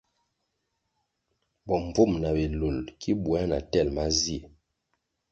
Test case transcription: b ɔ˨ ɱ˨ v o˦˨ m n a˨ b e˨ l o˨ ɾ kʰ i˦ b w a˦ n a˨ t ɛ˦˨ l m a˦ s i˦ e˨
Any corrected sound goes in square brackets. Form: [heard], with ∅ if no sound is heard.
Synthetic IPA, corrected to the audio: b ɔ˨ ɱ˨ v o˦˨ m n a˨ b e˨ l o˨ [l] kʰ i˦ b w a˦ n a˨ t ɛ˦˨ l m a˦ [z] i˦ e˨